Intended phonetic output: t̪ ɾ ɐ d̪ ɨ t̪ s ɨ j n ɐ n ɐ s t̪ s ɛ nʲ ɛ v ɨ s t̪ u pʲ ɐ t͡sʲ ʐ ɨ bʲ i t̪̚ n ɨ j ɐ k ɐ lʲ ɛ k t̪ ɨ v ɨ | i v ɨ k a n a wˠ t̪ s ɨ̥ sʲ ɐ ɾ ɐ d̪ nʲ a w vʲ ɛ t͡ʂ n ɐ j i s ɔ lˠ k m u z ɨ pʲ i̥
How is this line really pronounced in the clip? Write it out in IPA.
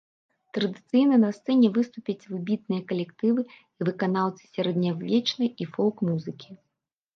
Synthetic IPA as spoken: t̪ ɾ ɐ d̪ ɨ t̪ s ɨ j n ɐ n ɐ s t̪ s ɛ nʲ ɛ v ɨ s t̪ u pʲ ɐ t͡sʲ v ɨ bʲ i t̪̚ n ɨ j ɐ k ɐ lʲ ɛ k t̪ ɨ v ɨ | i v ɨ k a n a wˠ t̪ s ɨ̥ sʲ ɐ ɾ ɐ d̪ nʲ a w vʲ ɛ t͡ʂ n ɐ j i f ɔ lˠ k m u z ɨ kʲ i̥